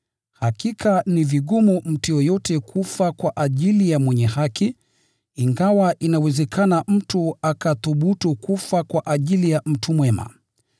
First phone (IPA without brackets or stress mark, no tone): h